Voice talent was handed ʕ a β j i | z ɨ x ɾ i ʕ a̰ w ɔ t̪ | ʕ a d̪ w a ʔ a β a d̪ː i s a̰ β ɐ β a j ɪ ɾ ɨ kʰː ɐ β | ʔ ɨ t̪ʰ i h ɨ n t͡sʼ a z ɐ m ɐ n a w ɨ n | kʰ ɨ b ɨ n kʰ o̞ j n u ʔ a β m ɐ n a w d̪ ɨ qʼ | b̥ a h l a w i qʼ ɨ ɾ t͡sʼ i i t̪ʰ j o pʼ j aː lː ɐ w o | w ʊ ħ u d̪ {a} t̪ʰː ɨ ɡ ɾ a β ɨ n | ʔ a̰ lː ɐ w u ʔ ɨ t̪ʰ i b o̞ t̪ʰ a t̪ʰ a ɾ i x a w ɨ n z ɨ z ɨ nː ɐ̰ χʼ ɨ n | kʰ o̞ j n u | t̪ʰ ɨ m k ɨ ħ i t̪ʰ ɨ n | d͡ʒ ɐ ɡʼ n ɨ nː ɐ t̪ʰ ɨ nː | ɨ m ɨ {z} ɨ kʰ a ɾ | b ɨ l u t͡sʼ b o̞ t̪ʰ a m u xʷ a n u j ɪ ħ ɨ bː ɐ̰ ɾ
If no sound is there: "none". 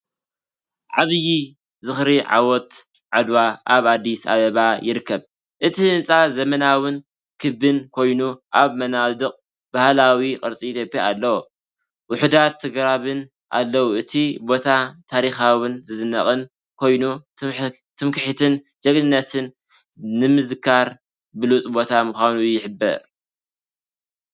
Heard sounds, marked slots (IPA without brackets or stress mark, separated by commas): a, z